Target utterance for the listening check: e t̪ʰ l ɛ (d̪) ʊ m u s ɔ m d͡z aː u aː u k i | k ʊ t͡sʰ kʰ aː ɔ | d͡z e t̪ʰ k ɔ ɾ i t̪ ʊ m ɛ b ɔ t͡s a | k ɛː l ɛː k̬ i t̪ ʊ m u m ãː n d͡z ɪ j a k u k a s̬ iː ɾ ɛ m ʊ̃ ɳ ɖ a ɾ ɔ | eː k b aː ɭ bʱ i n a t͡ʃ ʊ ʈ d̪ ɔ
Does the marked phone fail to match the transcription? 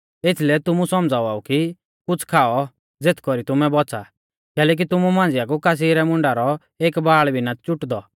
yes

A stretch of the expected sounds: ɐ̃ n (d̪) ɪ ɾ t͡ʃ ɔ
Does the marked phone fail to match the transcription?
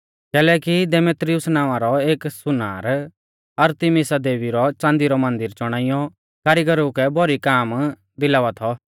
no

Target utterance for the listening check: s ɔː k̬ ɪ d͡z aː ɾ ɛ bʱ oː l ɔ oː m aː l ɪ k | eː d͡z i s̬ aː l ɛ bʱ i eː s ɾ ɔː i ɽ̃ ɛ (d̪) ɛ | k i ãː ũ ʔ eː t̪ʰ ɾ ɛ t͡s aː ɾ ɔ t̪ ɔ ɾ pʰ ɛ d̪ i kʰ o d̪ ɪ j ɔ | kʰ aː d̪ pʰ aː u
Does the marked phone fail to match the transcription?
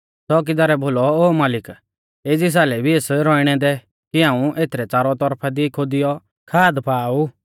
no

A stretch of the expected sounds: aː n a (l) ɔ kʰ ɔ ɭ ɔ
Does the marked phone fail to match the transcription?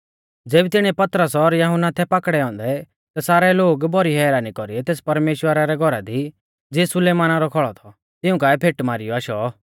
yes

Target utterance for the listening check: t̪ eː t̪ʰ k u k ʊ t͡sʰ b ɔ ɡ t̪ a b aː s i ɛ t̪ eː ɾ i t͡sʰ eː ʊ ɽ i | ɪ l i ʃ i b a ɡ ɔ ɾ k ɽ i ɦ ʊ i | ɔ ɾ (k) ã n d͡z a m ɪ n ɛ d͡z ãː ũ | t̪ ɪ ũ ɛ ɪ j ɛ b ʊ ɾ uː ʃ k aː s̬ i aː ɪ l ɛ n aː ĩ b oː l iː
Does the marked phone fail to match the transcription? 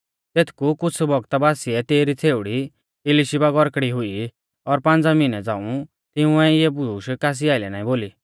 yes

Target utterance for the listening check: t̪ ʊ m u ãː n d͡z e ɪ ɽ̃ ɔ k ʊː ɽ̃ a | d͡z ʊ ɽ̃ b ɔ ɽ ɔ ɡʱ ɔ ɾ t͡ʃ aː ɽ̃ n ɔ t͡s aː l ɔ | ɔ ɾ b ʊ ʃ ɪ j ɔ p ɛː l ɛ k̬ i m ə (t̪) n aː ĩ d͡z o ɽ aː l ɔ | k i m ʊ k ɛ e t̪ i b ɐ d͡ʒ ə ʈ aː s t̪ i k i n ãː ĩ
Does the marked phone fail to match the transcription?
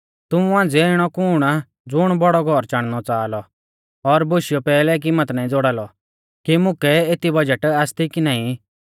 no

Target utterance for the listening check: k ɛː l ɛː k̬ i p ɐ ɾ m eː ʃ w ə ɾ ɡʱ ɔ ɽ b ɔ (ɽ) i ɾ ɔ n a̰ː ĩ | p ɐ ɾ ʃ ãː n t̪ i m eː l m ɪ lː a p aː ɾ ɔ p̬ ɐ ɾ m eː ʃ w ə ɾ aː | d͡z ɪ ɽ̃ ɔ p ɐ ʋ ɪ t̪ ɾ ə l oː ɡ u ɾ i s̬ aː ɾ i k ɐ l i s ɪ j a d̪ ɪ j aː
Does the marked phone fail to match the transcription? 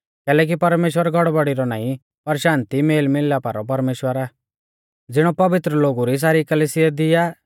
no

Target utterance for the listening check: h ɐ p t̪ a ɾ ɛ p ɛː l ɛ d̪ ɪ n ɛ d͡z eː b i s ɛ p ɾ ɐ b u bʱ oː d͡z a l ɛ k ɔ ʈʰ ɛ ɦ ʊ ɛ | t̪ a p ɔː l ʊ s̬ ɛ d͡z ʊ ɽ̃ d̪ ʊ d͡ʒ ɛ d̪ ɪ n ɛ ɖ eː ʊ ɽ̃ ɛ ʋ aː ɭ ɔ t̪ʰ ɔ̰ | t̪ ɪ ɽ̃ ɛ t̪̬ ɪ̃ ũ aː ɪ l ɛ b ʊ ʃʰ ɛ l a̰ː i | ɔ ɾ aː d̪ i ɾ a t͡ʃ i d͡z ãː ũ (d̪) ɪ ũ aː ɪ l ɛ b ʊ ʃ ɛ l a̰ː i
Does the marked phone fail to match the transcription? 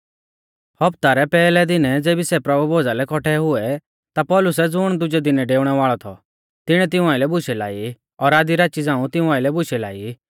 yes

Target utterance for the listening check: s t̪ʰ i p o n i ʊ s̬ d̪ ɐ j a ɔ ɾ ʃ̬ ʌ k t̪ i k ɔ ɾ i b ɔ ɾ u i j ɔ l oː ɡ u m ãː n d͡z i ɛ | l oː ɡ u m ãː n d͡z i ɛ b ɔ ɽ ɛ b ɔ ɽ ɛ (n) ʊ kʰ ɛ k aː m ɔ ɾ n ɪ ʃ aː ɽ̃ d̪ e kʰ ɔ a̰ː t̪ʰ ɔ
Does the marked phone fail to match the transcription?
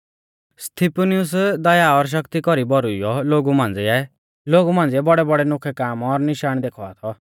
no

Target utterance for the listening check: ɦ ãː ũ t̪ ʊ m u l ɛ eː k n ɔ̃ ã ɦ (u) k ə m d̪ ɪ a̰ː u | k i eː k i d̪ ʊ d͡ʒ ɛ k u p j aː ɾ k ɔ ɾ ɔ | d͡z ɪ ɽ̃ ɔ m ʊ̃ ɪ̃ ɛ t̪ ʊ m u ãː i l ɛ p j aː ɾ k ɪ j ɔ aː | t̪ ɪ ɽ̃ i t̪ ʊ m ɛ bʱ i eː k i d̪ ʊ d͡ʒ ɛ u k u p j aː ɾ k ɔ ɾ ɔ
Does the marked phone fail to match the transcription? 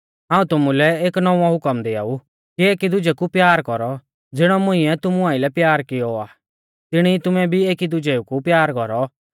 yes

